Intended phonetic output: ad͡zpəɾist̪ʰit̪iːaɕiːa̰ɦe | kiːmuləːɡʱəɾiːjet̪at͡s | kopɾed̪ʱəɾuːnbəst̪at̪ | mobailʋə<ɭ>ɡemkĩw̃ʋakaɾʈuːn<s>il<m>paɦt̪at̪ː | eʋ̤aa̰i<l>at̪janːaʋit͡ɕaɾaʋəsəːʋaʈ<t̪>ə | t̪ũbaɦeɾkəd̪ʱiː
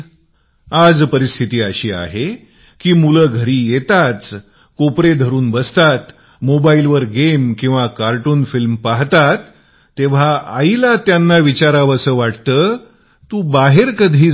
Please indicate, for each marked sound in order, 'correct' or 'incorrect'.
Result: incorrect, incorrect, correct, correct, correct

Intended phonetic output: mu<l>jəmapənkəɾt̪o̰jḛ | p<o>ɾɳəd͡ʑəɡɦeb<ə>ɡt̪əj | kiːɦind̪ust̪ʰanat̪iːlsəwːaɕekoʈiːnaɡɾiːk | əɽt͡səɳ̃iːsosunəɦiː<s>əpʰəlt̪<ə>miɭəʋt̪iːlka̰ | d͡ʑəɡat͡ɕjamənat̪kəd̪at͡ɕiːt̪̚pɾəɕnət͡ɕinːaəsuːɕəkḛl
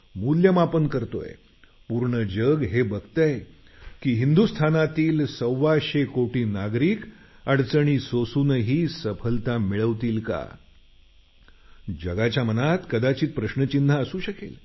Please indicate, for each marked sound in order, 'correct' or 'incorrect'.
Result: correct, incorrect, correct, correct, incorrect

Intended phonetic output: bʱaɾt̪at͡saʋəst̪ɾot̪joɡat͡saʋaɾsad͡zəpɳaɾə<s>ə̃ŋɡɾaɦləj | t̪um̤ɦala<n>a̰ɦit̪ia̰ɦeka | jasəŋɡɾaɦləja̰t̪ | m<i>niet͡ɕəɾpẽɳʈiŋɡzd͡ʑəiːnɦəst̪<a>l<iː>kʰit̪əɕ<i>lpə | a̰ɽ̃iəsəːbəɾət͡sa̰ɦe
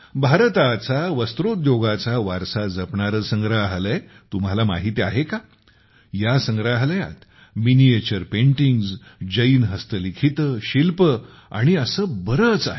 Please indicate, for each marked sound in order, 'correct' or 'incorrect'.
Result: correct, incorrect, correct, incorrect, incorrect, correct

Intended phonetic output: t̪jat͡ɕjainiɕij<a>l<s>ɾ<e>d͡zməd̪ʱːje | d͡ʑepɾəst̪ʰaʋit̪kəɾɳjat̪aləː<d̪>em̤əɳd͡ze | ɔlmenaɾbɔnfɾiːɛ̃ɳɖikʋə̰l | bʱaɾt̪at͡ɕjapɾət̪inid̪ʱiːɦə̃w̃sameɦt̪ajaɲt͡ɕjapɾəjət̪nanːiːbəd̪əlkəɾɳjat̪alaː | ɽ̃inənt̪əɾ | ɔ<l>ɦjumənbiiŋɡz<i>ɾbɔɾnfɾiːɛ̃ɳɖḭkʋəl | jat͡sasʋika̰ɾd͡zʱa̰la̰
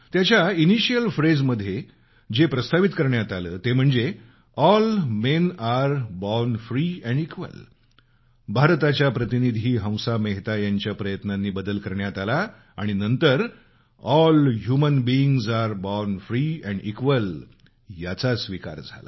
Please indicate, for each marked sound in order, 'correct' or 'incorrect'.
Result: incorrect, incorrect, correct, incorrect, correct, incorrect

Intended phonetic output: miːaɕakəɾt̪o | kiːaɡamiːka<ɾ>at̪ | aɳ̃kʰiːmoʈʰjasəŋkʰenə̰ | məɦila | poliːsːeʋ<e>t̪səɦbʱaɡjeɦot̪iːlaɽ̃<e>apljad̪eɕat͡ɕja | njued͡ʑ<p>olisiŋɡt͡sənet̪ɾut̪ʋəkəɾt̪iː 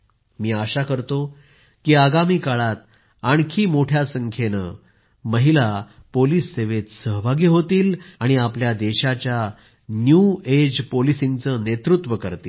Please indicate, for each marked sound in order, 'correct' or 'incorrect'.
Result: incorrect, correct, incorrect, correct

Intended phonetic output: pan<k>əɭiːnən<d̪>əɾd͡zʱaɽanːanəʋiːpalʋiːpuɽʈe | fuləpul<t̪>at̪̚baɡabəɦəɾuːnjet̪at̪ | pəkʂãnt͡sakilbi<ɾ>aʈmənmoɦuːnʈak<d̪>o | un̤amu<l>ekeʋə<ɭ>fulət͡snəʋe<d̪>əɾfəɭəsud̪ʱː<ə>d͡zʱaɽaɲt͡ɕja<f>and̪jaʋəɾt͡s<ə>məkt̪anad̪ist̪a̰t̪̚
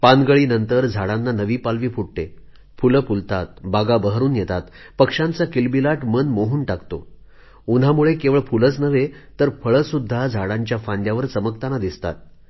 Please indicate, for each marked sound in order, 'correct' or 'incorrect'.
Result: incorrect, incorrect, correct, incorrect, incorrect, incorrect, correct, incorrect, incorrect, correct, correct

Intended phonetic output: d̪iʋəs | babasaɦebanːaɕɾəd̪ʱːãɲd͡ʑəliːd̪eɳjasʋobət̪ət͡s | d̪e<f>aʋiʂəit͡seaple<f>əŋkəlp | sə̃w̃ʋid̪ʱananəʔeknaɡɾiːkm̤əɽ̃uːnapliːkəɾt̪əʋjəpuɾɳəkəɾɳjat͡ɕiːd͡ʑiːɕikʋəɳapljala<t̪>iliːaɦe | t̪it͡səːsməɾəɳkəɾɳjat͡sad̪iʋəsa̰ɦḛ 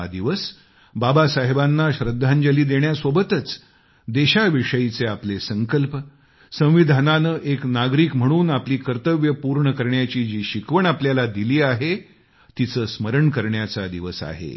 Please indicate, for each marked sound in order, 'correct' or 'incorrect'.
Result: incorrect, incorrect, incorrect

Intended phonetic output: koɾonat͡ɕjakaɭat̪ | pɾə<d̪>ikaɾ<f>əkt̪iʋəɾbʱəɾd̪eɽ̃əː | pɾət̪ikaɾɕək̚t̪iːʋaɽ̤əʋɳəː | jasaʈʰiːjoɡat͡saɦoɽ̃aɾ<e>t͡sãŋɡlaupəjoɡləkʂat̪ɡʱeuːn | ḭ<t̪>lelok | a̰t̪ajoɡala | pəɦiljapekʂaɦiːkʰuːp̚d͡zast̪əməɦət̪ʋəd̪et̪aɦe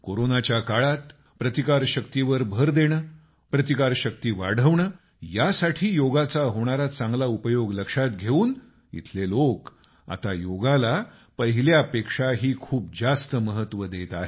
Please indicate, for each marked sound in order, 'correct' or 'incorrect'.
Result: incorrect, incorrect, incorrect, incorrect

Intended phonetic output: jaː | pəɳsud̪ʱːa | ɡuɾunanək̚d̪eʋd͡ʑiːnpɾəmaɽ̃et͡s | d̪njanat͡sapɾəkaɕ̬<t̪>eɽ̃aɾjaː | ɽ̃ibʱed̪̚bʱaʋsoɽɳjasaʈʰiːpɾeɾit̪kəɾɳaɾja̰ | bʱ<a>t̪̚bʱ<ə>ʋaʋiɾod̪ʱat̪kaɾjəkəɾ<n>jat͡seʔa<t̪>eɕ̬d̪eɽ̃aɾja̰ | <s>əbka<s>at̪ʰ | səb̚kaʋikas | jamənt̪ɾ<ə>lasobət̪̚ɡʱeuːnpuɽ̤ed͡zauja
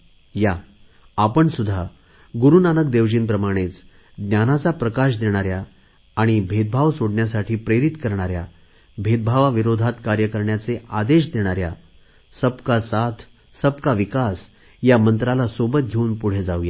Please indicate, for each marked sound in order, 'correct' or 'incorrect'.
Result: incorrect, incorrect, incorrect, incorrect, incorrect, correct, correct, incorrect

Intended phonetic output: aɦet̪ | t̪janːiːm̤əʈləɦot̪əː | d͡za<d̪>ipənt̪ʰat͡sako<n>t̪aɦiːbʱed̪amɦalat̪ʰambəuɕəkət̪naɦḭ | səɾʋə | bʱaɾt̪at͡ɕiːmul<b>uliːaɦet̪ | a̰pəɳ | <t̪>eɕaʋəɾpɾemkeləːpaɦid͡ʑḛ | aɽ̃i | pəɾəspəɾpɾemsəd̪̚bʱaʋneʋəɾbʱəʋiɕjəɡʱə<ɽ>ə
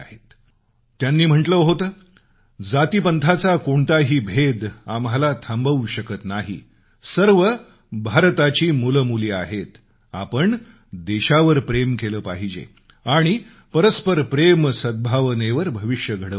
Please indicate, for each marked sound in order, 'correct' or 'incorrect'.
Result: incorrect, incorrect, incorrect, incorrect, correct

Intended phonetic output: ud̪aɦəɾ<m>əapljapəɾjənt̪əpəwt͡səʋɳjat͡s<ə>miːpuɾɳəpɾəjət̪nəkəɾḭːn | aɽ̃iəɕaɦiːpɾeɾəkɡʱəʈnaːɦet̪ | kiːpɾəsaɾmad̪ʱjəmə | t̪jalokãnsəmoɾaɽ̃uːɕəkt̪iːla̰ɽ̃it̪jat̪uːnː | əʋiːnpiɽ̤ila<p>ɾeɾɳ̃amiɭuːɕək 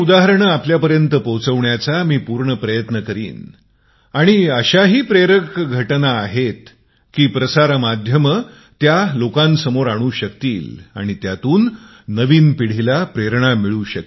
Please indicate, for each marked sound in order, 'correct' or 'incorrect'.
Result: incorrect, incorrect, correct

